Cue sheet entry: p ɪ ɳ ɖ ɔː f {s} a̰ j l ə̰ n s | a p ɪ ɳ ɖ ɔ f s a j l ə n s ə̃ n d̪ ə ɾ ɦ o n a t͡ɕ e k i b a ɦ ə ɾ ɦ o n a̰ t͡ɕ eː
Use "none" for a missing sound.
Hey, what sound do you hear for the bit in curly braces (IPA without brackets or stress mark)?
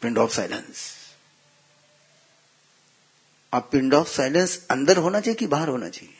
s